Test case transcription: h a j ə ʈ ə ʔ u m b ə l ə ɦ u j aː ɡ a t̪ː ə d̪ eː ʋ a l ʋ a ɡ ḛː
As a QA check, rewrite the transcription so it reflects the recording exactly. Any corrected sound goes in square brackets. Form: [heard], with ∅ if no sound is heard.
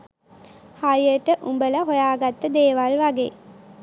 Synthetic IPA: h a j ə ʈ ə ʔ u m b ə l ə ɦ [o] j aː ɡ a t̪ː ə d̪ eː ʋ a l ʋ a ɡ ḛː